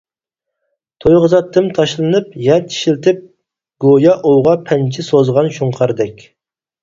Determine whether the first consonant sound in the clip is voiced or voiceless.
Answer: voiceless